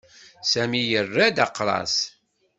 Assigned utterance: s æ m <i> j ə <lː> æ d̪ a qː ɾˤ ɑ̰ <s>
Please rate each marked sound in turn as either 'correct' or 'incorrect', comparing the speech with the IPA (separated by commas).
correct, incorrect, correct